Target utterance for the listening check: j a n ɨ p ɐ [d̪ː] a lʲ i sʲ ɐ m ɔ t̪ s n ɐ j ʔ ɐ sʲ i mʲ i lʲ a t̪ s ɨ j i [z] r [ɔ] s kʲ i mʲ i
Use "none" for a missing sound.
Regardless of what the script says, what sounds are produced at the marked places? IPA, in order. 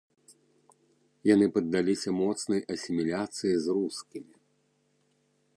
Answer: d̪ː, z, u

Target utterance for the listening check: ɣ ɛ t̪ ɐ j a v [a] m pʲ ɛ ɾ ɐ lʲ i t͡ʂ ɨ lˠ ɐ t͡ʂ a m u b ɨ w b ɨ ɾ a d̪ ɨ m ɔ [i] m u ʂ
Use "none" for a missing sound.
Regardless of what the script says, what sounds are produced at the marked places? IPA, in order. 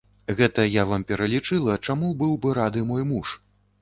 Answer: a, j

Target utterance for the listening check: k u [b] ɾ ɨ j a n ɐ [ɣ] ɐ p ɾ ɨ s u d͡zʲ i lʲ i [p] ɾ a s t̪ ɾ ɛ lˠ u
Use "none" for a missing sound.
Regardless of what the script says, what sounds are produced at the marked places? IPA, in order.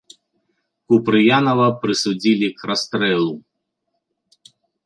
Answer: p, v, k

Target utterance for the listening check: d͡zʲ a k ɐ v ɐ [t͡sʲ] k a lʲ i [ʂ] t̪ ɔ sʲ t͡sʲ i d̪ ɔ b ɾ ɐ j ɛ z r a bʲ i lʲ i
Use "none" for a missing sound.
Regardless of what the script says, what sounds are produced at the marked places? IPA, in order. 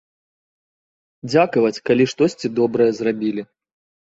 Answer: t͡sʲ, ʂ

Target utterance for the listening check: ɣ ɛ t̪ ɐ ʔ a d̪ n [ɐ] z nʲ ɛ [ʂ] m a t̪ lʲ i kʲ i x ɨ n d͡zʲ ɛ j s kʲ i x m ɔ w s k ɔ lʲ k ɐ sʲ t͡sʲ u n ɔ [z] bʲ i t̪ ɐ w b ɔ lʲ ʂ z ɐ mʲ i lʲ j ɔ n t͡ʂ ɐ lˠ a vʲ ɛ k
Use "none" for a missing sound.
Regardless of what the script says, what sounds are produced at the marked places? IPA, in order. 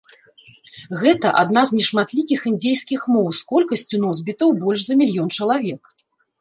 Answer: a, ʂ, z

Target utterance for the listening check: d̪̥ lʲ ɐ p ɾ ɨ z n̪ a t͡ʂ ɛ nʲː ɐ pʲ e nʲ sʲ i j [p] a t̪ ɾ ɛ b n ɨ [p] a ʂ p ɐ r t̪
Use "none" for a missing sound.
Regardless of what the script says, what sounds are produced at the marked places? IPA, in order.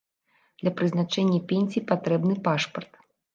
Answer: p, p

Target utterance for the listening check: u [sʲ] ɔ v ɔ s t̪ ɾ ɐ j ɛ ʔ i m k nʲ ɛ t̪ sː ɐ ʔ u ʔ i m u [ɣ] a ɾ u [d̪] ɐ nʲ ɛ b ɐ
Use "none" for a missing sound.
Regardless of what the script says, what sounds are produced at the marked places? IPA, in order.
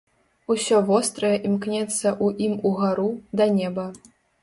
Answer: sʲ, ɣ, d̪

